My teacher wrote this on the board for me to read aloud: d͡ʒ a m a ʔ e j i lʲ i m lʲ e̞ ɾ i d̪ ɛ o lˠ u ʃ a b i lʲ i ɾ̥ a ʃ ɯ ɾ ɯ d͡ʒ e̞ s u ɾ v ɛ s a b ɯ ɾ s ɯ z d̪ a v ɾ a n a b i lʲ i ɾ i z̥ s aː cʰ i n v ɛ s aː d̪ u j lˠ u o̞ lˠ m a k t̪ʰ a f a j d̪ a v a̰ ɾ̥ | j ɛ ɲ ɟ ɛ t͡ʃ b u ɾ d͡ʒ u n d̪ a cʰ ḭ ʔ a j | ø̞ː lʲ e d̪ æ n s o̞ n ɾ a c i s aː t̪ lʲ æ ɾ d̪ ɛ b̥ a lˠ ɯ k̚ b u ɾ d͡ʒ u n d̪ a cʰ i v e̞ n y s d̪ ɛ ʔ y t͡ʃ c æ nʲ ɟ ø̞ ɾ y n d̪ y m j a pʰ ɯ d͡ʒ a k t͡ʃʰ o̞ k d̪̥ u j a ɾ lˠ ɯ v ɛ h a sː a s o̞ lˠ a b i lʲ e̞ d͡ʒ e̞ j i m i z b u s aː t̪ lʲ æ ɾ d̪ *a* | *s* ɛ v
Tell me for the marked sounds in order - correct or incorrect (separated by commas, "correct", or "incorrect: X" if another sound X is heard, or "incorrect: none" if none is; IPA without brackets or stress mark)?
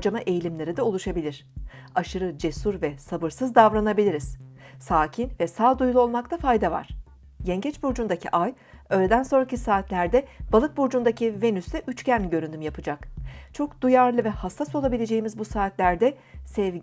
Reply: incorrect: ɛ, correct